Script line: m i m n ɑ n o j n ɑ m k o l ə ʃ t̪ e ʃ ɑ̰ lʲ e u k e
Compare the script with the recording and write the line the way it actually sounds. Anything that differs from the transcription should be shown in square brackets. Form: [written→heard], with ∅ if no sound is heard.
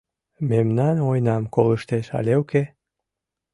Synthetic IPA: m [i→e] m n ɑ n o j n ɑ m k o l ə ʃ t̪ e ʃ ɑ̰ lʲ e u k e